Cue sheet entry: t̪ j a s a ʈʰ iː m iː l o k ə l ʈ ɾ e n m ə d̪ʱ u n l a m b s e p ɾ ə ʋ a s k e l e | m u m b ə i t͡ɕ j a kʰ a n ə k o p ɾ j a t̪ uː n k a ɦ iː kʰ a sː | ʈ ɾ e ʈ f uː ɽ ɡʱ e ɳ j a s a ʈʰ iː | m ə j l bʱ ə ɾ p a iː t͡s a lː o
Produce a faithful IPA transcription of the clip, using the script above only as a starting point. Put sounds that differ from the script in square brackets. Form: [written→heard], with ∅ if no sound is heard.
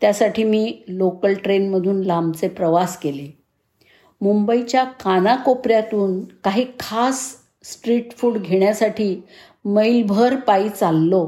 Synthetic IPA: t̪ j a s a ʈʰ iː m iː l o k ə l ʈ ɾ e n m ə d̪ʱ [u→uː] n l a m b [s→t͡s] e p ɾ ə ʋ a s k e l e | m u m b ə i t͡ɕ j a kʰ a n [ə→a] k o p ɾ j a t̪ uː n k a ɦ iː kʰ a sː | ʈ ɾ [e→i] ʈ f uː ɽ ɡʱ e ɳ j a s a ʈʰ iː | m ə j l bʱ ə ɾ p a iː t͡s a lː o